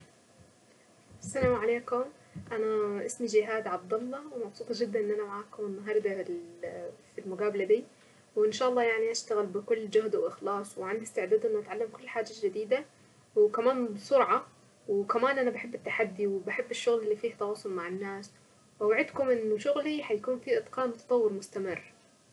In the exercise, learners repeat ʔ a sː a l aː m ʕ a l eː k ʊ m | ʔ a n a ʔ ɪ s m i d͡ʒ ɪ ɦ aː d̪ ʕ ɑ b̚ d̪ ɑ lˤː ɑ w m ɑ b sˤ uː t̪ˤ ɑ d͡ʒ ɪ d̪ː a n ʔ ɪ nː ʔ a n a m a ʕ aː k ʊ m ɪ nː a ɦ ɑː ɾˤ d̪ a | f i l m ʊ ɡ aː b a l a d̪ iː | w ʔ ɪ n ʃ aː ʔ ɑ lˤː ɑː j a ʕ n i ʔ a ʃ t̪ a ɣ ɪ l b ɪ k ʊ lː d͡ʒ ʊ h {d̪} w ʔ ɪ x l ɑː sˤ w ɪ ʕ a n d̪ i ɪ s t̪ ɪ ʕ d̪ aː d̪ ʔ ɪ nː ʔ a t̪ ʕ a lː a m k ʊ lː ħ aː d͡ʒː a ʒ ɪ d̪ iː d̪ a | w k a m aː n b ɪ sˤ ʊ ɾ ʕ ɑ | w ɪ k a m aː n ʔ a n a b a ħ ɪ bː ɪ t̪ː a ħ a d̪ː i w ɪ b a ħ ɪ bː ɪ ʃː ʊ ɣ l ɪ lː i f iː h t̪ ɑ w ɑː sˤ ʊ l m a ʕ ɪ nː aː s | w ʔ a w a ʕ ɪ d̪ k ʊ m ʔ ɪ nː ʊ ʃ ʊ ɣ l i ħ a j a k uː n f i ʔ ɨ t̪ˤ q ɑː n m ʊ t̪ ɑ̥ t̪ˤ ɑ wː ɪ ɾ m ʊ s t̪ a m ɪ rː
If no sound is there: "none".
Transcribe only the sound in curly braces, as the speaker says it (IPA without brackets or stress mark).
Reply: d̪